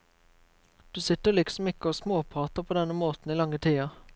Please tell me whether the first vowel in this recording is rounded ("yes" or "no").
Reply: yes